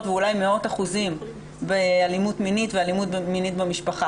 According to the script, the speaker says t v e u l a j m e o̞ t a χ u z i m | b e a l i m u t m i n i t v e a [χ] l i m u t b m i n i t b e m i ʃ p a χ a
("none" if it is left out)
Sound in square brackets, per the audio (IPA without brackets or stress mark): none